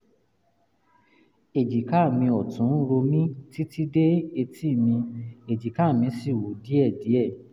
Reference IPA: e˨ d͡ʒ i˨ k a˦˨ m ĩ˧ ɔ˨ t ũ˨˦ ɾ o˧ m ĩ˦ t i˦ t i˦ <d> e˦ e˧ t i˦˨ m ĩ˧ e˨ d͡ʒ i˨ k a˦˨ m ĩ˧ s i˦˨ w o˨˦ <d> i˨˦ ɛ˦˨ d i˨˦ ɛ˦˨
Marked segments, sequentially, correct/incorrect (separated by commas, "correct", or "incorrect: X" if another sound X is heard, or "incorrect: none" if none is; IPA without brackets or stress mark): correct, correct